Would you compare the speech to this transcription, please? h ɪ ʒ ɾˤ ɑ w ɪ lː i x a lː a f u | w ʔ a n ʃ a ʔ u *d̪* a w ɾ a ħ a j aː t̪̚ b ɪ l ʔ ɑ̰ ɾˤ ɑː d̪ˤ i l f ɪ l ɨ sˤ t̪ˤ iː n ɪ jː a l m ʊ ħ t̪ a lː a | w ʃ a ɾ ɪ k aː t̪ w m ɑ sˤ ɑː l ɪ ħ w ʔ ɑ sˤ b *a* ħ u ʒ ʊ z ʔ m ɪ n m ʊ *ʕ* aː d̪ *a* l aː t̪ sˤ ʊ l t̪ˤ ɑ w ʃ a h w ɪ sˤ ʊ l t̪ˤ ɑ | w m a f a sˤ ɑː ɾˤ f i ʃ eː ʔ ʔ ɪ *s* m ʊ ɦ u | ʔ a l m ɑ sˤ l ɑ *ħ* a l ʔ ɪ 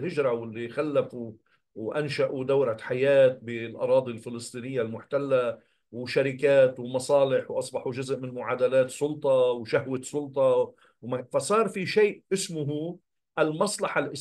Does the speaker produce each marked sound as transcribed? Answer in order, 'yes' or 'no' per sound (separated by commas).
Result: yes, no, yes, yes, yes, yes